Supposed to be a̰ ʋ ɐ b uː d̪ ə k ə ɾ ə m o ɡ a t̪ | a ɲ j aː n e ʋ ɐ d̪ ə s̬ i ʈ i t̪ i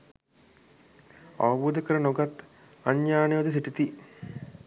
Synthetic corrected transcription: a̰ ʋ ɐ b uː d̪ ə k ə ɾ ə n o ɡ a t̪ | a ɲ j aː n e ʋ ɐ d̪ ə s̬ i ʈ i t̪ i